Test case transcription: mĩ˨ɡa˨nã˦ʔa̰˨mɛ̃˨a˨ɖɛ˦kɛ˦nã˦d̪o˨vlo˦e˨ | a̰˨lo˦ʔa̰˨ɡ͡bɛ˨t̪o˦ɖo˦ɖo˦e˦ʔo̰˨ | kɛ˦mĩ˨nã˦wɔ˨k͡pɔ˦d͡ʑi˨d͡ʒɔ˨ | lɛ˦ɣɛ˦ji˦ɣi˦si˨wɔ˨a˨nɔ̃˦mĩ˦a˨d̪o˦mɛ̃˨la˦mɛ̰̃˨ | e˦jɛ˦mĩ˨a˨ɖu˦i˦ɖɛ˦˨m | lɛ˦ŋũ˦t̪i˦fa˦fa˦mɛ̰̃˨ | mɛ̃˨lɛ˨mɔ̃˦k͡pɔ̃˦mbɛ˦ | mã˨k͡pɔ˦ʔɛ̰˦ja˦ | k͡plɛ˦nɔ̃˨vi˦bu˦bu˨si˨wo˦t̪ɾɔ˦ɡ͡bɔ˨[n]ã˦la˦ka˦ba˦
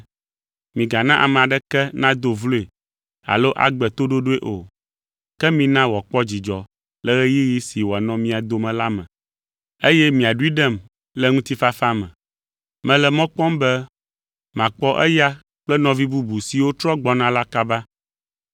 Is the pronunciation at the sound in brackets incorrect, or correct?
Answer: correct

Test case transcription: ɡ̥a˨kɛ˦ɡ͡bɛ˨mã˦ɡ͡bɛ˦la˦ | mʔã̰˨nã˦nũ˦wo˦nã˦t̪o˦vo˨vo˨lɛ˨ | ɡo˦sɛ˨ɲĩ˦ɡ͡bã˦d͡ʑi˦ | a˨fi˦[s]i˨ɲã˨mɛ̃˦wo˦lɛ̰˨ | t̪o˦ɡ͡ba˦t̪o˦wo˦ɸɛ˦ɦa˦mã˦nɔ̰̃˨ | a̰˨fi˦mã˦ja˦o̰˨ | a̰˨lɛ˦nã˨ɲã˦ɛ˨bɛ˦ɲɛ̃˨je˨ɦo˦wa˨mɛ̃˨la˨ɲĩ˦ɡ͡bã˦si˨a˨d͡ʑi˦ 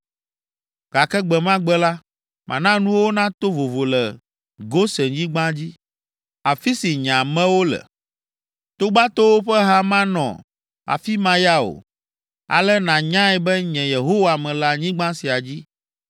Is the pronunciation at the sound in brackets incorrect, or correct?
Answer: correct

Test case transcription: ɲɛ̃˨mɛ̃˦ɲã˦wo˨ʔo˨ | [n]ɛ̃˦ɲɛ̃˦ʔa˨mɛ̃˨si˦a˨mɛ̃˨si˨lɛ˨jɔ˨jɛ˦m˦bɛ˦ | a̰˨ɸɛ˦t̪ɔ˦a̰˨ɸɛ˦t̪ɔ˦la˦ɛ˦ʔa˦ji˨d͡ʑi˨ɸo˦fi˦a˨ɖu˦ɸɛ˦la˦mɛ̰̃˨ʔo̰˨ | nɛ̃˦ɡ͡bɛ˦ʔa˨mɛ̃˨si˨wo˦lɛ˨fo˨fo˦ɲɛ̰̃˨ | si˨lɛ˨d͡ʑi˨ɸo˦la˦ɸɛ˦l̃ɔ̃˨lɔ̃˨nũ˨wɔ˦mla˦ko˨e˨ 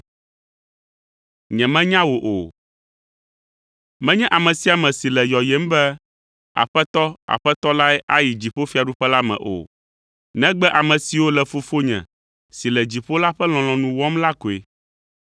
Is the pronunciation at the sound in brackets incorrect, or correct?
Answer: incorrect: m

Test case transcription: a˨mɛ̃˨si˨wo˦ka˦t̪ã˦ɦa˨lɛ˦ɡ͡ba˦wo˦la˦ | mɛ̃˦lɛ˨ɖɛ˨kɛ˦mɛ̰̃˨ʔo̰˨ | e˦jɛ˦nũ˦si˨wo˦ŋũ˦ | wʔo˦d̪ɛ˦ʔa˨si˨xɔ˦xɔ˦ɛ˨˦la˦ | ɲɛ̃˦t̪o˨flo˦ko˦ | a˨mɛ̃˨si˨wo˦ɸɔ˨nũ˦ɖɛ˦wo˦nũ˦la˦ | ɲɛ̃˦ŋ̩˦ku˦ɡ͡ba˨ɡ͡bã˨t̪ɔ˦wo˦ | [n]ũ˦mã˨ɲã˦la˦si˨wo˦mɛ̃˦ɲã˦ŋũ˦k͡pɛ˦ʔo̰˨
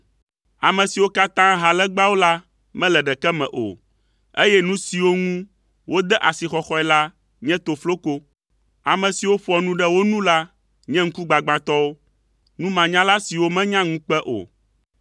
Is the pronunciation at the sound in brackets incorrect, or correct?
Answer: correct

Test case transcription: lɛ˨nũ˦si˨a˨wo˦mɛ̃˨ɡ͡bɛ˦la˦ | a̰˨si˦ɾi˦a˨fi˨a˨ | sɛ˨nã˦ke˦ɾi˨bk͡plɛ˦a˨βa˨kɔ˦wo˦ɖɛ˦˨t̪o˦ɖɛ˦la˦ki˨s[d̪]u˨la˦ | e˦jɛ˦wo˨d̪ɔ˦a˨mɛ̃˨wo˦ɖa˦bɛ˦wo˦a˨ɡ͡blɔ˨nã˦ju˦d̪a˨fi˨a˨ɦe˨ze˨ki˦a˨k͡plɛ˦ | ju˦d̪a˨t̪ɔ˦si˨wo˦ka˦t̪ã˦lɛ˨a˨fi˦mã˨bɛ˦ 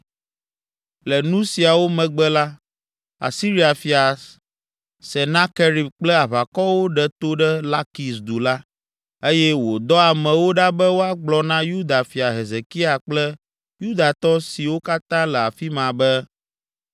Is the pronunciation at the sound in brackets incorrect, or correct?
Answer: correct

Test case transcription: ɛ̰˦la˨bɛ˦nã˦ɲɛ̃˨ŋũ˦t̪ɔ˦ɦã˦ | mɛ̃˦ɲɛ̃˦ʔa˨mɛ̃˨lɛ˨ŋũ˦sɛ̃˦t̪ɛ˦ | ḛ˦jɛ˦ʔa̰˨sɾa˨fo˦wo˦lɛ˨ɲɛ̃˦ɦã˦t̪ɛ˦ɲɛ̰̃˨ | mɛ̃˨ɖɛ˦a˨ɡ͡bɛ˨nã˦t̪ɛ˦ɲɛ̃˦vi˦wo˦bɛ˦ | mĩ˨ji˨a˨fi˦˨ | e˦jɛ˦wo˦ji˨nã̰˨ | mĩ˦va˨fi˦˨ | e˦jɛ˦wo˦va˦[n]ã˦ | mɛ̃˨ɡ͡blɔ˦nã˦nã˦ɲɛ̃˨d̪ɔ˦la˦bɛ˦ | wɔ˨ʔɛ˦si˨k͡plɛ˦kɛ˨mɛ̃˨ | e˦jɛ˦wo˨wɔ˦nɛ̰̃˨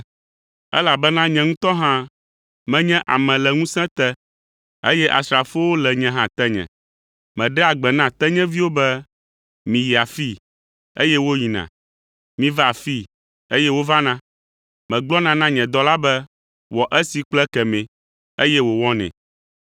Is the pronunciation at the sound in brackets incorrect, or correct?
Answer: correct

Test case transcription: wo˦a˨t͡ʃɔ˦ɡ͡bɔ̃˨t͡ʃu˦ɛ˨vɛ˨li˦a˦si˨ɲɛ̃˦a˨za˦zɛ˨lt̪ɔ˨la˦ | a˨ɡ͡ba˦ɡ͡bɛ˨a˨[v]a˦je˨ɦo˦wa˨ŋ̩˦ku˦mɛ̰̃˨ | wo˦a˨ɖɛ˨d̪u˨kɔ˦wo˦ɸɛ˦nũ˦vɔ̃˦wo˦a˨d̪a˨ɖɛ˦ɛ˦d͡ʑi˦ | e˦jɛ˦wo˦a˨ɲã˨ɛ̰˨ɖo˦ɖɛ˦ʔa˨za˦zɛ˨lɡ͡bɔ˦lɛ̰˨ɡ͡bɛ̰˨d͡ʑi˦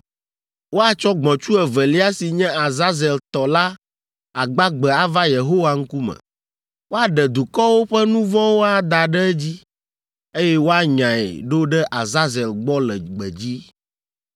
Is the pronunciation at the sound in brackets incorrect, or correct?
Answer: correct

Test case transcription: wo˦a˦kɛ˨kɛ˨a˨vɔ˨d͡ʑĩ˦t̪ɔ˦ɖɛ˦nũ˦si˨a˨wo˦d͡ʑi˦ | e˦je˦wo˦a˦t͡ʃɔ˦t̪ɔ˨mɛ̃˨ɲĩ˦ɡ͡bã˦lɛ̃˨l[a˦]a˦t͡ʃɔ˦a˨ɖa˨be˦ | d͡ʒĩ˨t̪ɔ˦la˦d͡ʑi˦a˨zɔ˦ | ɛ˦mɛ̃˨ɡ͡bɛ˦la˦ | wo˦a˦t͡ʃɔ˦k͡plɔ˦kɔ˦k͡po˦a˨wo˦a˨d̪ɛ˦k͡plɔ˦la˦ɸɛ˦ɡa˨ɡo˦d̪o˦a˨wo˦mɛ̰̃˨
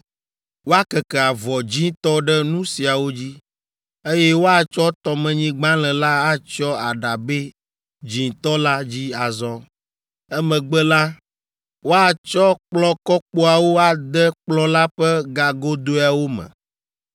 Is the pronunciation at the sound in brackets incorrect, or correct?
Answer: correct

